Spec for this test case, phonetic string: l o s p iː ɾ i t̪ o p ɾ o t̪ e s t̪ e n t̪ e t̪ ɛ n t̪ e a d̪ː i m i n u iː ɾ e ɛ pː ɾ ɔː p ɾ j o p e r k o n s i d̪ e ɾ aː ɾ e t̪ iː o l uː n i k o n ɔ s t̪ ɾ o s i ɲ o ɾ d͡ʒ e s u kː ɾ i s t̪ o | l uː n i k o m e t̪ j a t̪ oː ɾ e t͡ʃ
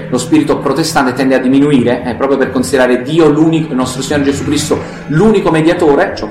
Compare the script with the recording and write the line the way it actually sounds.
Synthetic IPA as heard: l o s p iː ɾ i t̪ o p ɾ o t̪ e s t̪ a n t̪ e t̪ ɛ n d̪ e a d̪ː i m i n u iː ɾ e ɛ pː ɾ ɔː p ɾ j o p e r k o n s i d̪ e ɾ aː ɾ e d̪ iː o l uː n i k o n ɔ s t̪ ɾ o s i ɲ o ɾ d͡ʒ e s u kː ɾ i s t̪ o | l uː n i k o m e d̪ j a t̪ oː ɾ e t͡ʃ